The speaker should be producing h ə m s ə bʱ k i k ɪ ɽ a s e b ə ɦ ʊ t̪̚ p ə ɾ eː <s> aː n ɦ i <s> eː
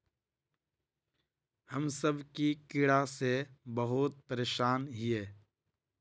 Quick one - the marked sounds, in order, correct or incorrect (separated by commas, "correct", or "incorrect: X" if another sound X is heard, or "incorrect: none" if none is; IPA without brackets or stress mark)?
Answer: incorrect: ʃ, incorrect: none